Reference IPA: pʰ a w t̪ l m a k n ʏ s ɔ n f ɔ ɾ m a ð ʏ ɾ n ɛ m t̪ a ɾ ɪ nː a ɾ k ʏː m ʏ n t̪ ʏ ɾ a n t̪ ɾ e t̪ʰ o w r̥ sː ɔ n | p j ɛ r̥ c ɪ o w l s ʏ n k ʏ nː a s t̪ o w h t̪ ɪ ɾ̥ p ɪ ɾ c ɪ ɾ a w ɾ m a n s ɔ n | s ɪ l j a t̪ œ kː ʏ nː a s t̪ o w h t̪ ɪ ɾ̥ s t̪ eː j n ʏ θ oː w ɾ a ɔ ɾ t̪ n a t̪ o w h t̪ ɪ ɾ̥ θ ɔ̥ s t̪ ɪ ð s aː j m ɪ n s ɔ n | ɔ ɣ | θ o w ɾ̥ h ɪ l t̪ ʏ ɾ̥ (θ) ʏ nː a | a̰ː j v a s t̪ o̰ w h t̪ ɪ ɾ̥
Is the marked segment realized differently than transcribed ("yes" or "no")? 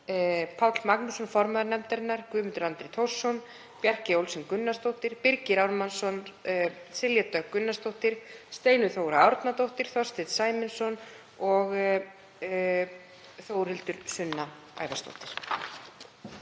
yes